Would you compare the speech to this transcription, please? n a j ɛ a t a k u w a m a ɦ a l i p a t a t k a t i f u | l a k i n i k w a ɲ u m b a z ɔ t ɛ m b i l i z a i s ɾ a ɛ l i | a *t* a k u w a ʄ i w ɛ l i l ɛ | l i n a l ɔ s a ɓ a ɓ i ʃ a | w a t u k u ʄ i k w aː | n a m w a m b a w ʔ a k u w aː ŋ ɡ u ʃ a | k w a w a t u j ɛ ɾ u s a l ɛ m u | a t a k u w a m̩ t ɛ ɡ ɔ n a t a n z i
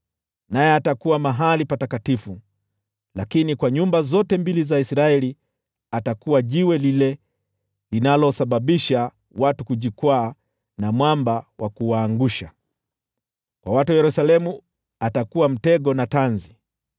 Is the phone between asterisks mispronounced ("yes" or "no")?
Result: no